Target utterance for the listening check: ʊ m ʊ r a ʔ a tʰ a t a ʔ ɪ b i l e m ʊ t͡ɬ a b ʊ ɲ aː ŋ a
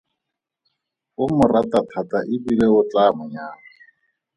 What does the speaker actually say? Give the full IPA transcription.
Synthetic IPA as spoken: ʊ m ʊ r a t a tʰ a t a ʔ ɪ b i l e ʊ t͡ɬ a m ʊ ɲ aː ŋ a